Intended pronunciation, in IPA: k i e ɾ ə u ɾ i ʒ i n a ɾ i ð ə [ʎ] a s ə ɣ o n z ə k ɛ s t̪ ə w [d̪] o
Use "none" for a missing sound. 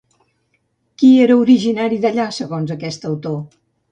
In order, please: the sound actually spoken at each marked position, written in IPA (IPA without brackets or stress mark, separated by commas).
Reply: ʎ, t̪